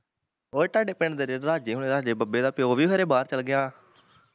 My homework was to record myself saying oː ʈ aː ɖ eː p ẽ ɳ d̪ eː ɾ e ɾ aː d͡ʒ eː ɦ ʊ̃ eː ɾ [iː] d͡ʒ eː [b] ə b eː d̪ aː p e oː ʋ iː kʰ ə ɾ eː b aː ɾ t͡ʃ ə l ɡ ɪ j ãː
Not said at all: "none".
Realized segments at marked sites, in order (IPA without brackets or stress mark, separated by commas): aː, b